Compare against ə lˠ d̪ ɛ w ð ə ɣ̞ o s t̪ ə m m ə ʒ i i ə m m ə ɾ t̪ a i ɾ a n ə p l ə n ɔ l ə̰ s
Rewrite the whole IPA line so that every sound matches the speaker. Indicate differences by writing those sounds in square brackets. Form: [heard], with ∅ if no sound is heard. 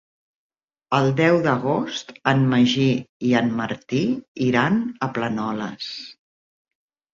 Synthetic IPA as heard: ə lˠ d̪ ɛ w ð ə ɣ̞ o s t̪ ə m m ə ʒ i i ə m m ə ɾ t̪ [i] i ɾ a n ə p l ə n ɔ l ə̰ s

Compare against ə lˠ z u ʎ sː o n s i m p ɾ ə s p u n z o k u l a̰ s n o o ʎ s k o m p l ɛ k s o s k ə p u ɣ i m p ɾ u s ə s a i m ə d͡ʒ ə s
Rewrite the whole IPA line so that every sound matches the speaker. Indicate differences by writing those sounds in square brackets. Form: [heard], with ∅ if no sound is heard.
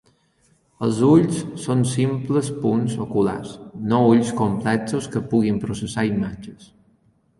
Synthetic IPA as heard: ə lˠ z u ʎ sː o n s i m p [l] ə s p u n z o k u l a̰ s n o [u] ʎ s k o m p l ɛ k s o s k ə p u ɣ i m p ɾ u s ə s a i m [a] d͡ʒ ə s

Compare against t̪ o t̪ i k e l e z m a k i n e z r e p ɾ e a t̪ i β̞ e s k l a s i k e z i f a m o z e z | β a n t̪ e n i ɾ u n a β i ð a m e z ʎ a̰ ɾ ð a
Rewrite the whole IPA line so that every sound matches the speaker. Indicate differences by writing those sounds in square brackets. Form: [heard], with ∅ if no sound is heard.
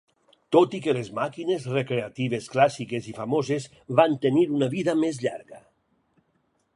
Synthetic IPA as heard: t̪ o t̪ i k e l e z m a k i n e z r e [k] ɾ e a t̪ i β̞ e s k l a s i k e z i f a m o z e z | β a n t̪ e n i ɾ u n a β i ð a m e z ʎ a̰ ɾ [ɣ] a

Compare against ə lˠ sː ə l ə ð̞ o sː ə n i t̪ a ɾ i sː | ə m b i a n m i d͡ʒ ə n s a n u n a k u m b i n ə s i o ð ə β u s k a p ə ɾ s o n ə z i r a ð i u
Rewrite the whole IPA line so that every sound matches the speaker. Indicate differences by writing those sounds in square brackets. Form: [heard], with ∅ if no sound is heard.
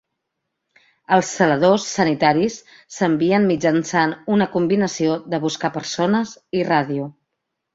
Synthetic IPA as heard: ə lˠ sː ə l ə ð̞ o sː ə n i t̪ a ɾ i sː | ə m b i [ə] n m i d͡ʒ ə n s a n u n [ə] k u m b i n ə s i o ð ə β u s k a p ə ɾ s o n ə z i r a ð i u

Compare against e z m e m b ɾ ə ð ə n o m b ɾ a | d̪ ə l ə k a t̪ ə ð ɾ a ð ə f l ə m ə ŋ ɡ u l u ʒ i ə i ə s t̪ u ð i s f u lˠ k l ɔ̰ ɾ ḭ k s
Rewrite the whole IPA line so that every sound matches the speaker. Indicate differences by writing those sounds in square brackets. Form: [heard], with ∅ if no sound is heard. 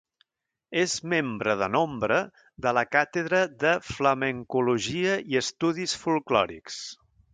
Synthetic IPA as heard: e z m e m b ɾ ə ð ə n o m b ɾ [ə] | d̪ ə l ə k a t̪ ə ð ɾ [ə] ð ə f l ə m ə ŋ [k] u l u ʒ i ə i ə s t̪ u ð i s f u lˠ k l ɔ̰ ɾ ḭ k s

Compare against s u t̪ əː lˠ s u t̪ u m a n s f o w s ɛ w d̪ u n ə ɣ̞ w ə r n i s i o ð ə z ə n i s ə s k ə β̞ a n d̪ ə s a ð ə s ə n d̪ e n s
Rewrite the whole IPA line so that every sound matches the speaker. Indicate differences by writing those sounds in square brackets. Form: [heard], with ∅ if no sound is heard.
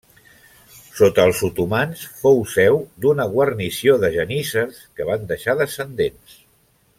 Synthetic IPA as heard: s [o] t̪ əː lˠ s u t̪ u m a n s f o w s ɛ w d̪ u n ə ɣ̞ w ə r n i s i o ð ə [ʒ] ə n i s ə s k ə β̞ a n d̪ ə [ʃ] a ð ə s ə n d̪ e n s

